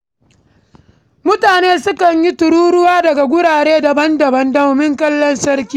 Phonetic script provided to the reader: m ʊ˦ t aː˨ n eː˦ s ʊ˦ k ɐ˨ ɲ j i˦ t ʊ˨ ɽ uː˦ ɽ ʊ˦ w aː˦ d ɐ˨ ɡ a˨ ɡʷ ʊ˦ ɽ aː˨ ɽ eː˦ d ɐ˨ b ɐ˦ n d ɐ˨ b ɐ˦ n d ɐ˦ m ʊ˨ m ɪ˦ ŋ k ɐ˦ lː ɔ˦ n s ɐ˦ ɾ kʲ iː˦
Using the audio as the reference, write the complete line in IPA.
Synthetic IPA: m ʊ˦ t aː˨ n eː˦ s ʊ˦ k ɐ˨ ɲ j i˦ t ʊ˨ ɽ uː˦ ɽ ʊ˦ w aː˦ d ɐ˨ ɡ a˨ ɡʷ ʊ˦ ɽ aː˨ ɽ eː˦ d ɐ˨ b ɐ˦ n d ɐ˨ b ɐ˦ n d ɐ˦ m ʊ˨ m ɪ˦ ŋ k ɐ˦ lː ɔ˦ n s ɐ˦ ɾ kʲ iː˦